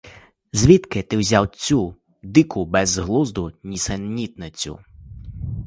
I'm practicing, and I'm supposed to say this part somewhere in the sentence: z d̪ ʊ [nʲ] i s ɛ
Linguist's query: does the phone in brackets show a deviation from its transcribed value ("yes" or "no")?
no